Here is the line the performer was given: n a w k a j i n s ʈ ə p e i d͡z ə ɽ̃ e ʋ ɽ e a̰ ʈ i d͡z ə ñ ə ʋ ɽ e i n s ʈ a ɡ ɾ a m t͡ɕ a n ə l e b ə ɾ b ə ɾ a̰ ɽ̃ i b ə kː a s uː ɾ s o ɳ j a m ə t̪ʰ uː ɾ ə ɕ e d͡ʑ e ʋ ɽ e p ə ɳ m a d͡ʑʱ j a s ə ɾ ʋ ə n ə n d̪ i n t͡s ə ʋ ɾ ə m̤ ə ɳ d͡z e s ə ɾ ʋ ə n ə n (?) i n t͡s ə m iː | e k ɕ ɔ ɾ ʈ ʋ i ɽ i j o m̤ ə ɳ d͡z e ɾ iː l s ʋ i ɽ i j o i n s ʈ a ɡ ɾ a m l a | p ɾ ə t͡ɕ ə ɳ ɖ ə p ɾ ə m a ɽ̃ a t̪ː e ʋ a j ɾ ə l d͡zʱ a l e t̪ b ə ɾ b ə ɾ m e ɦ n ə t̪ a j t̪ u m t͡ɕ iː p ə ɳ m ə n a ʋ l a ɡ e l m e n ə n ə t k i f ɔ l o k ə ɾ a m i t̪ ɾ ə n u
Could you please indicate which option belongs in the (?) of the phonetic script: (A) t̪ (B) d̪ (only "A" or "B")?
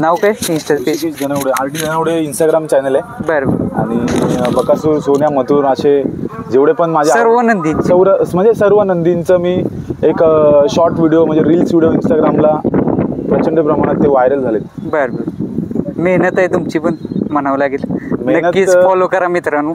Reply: B